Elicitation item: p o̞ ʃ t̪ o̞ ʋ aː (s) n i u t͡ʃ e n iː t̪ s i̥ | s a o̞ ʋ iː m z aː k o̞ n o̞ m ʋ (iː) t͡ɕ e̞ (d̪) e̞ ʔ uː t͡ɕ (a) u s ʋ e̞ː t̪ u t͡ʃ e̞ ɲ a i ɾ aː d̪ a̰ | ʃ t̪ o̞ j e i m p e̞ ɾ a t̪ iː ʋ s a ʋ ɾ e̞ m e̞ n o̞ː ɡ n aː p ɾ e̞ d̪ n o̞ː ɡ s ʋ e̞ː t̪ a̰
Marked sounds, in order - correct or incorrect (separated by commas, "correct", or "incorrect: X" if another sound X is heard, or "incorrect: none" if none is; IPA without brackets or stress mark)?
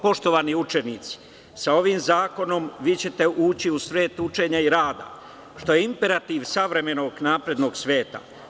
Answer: incorrect: none, correct, incorrect: t̪, incorrect: i